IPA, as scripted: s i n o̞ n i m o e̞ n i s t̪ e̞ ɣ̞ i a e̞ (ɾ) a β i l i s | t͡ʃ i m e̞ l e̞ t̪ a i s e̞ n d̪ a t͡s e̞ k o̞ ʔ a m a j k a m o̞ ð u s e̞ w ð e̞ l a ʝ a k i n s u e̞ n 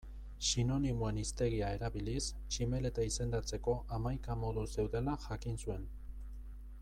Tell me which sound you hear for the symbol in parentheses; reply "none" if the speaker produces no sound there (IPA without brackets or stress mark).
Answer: ɾ